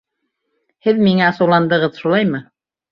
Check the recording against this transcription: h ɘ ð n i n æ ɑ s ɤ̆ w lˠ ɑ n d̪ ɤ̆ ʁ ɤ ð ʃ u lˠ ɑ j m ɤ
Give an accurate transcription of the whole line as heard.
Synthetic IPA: h ɘ ð m i ŋ æ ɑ s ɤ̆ w lˠ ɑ n d̪ ɤ̆ ʁ ɤ ð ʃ u lˠ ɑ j m ɤ